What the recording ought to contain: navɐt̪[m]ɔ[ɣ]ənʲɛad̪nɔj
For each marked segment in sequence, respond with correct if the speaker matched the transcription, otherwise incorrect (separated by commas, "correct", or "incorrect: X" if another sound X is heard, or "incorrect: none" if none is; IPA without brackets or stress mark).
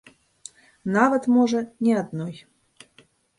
correct, incorrect: ʐ